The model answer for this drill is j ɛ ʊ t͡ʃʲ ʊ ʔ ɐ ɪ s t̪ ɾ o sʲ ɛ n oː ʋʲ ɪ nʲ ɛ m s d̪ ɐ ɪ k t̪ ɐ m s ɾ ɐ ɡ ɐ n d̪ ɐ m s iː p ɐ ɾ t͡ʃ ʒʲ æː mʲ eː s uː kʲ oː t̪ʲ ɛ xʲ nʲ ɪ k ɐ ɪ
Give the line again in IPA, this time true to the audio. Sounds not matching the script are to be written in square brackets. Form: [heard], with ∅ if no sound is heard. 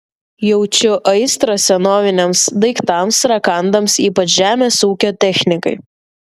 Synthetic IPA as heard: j ɛ ʊ t͡ʃʲ ʊ ʔ ɐ ɪ s t̪ ɾ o sʲ ɛ n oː ʋʲ ɪ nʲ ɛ m s d̪ ɐ ɪ k t̪ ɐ m s ɾ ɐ [k] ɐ n d̪ ɐ m s iː p ɐ [∅] t͡ʃ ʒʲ æː mʲ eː s uː kʲ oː t̪ʲ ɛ xʲ nʲ ɪ k ɐ ɪ